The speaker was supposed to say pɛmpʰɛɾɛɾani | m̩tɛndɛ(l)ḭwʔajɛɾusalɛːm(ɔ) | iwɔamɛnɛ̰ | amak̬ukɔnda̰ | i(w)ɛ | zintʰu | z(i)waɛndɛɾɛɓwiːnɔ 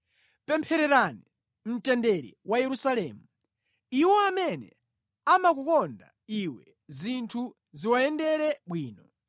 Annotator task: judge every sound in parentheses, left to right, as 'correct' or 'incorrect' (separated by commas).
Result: incorrect, incorrect, correct, correct